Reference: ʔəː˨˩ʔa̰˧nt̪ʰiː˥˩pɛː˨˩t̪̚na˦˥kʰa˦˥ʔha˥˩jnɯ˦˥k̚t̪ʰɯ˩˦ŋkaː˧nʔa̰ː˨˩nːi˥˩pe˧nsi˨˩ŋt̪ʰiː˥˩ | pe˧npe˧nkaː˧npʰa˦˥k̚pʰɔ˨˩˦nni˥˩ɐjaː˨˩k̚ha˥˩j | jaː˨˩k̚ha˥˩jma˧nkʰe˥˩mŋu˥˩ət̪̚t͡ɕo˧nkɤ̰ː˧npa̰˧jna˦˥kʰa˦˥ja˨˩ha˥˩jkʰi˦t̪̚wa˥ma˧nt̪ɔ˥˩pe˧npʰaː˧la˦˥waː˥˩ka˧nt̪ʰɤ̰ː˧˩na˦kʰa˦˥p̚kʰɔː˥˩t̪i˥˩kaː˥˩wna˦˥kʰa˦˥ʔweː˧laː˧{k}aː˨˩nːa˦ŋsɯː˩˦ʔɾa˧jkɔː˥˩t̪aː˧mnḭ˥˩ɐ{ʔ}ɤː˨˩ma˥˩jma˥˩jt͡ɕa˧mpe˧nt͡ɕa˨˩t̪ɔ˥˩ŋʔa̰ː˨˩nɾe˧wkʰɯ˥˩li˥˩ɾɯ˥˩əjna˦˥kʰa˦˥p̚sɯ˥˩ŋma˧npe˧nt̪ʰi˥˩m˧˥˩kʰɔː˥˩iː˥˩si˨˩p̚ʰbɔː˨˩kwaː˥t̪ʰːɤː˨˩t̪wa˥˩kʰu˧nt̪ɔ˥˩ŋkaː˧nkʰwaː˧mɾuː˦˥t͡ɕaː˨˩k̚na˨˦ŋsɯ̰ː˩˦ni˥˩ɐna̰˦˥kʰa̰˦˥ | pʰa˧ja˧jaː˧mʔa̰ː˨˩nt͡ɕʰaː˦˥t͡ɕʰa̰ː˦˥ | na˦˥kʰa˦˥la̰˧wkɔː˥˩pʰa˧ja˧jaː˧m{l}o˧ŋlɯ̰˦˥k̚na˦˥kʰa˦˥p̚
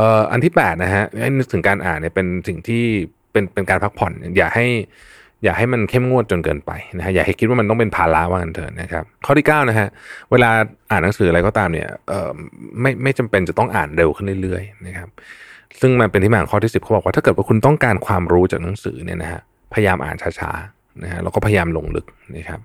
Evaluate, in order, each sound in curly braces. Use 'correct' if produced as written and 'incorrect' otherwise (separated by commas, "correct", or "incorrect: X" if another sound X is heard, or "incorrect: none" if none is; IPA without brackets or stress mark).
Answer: incorrect: ʔ, correct, correct